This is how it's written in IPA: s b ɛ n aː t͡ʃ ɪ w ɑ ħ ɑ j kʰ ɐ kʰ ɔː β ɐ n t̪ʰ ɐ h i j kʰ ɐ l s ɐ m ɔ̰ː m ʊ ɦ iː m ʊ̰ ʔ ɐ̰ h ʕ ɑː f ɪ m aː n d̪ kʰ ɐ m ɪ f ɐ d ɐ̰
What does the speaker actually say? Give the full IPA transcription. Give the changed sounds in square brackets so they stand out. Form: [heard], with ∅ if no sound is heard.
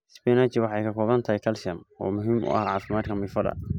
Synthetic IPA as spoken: s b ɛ n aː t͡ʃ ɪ w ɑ ħ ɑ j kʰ ɐ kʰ ɔː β ɐ n t̪ʰ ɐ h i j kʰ ɐ l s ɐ m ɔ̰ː m ʊ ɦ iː m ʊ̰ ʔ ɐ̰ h ʕ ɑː f ɪ m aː [∅] d̪ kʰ ɐ m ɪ f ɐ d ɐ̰